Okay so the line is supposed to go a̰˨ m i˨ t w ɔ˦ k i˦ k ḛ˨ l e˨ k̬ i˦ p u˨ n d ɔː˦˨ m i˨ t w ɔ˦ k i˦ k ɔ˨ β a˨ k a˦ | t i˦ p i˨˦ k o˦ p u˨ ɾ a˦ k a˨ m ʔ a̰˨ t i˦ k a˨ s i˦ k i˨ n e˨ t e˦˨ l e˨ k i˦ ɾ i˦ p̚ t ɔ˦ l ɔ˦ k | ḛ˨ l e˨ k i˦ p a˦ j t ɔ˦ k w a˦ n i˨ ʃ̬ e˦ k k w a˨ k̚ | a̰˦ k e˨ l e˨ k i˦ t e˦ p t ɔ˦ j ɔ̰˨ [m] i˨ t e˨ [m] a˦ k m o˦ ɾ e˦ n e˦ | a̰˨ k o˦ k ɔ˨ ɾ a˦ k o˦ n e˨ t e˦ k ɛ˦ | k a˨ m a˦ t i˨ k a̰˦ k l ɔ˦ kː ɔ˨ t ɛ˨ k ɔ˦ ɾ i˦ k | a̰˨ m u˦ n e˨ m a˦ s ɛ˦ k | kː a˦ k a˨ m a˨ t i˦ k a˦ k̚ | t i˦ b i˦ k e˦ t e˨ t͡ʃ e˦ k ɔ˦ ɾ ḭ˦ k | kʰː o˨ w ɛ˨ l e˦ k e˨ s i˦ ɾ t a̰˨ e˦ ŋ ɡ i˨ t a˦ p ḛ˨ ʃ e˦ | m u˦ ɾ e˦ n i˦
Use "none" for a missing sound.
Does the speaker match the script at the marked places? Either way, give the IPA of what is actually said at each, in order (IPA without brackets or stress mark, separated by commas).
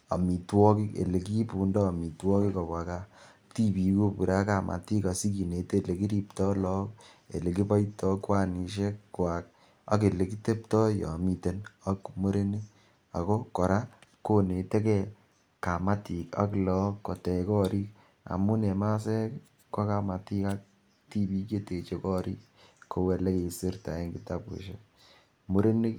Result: m, n